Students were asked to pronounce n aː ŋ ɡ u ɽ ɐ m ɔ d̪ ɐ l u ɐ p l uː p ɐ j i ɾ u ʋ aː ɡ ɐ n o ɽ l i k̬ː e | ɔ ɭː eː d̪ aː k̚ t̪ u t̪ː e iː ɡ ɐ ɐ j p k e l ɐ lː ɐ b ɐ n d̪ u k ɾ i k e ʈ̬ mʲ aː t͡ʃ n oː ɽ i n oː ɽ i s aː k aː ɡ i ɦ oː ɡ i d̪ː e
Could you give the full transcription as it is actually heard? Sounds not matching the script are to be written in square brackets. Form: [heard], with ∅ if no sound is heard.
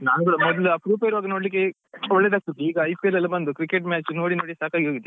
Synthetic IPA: n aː [n] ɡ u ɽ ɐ m ɔ d̪ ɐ l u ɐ p [ɾ] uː p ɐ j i ɾ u ʋ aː ɡ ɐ n o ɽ l i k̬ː e | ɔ ɭː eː d̪ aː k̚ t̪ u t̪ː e iː ɡ ɐ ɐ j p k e l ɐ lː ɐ b ɐ n d̪ u k ɾ i k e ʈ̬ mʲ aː t͡ʃ n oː ɽ i n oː ɽ i s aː k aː ɡ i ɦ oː ɡ i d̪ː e